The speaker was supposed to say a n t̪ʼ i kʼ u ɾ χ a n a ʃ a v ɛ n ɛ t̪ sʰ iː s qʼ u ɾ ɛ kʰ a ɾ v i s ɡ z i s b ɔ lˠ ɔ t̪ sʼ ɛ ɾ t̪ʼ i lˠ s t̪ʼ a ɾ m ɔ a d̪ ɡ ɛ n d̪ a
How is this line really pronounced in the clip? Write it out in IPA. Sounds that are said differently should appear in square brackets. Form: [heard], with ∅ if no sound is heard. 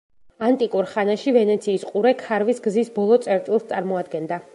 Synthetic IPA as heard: a n t̪ʼ i kʼ u ɾ χ a n a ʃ [i] v ɛ n ɛ t̪ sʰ iː s qʼ u ɾ ɛ kʰ a ɾ v i s ɡ z i s b ɔ lˠ ɔ t̪ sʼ ɛ ɾ t̪ʼ i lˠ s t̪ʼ a ɾ m ɔ a d̪ ɡ ɛ n d̪ a